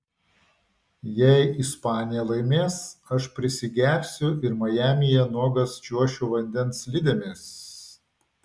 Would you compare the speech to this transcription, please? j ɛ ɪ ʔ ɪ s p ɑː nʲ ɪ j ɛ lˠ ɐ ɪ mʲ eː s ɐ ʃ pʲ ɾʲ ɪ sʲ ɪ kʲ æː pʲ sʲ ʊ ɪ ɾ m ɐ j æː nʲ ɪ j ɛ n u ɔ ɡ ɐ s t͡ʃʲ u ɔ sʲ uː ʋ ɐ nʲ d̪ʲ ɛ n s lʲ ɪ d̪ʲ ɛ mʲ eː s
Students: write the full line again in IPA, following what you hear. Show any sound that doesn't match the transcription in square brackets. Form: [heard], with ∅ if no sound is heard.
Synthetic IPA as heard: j ɛ ɪ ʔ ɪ s p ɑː nʲ ɪ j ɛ lˠ ɐ ɪ mʲ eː s ɐ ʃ pʲ ɾʲ ɪ sʲ ɪ [ɡʲ] æː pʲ sʲ ʊ ɪ ɾ m ɐ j æː [mʲ] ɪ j ɛ n u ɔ ɡ ɐ s t͡ʃʲ u ɔ [ʃʲ] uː ʋ ɐ nʲ d̪ʲ ɛ n s lʲ ɪ d̪ʲ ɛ mʲ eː s